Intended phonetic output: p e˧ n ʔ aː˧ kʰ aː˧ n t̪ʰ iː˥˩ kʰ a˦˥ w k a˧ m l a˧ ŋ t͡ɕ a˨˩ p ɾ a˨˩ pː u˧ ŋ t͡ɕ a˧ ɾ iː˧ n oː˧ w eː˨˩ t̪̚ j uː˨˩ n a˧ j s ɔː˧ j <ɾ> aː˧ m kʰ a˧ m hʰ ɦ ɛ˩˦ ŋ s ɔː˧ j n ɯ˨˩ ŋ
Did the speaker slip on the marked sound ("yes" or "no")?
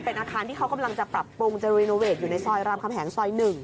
no